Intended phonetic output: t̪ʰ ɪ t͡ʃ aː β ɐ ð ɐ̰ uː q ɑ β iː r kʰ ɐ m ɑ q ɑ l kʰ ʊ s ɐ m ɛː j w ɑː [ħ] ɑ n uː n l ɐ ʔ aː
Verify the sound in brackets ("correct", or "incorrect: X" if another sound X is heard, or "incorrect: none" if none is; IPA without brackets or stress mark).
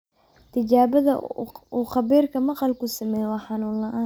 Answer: correct